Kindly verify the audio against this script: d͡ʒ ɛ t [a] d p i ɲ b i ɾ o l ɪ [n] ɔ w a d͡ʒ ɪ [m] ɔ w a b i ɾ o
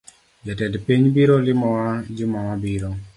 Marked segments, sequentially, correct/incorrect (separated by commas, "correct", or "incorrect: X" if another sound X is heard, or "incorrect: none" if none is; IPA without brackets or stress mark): incorrect: ɛ, incorrect: m, correct